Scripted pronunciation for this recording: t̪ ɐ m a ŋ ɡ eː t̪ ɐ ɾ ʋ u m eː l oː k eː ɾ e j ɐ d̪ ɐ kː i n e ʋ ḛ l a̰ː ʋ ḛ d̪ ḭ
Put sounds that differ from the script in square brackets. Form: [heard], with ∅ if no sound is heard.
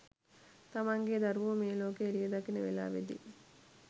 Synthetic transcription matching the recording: t̪ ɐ m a ŋ ɡ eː [d̪] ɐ ɾ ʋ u m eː l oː k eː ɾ [i] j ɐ d̪ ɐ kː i n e ʋ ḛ l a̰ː ʋ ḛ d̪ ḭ